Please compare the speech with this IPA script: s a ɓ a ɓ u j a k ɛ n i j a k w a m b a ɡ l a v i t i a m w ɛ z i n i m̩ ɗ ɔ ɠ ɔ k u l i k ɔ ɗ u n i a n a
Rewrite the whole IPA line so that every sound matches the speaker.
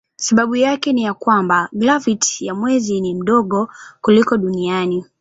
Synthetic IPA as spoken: s a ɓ a ɓ u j a k ɛ n i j a k w a m b a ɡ l a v i t j a m w ɛ z i n i m̩ ɗ ɔ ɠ ɔ k u l i k ɔ ɗ u n i a n i